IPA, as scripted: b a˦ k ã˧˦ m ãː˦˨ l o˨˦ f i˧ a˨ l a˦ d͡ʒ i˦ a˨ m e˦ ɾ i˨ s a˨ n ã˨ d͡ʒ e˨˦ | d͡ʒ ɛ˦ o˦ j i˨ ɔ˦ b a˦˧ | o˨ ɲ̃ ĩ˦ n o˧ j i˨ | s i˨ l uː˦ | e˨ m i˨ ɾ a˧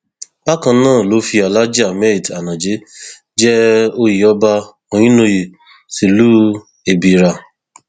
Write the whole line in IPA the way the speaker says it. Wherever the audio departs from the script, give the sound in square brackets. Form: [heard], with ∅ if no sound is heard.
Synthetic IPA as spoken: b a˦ k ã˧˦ [n] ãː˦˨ l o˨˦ f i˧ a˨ l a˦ d͡ʒ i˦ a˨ m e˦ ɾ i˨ [t] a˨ n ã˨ d͡ʒ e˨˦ | d͡ʒ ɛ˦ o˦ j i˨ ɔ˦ b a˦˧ | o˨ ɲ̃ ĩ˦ n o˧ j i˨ | s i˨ l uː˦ | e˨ [b] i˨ ɾ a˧